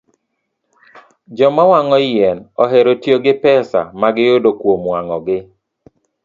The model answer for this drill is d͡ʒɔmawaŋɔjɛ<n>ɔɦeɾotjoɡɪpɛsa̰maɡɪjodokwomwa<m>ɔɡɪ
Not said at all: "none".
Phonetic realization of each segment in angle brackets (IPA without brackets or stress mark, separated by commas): n, ŋ